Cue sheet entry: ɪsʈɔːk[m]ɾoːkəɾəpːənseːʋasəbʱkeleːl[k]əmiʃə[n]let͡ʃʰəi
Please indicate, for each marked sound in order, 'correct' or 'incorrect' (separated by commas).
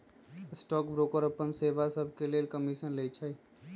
incorrect, correct, correct